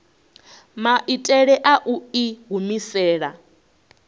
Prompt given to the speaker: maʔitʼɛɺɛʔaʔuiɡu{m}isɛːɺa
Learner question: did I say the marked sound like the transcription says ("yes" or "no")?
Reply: yes